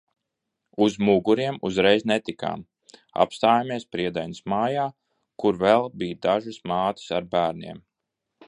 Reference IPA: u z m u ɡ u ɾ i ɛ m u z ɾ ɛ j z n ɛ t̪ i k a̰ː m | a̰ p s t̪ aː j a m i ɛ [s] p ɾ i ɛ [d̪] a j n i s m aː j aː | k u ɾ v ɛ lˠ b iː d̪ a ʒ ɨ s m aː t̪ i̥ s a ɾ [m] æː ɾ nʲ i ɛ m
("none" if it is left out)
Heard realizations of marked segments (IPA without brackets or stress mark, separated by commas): s, d̪, b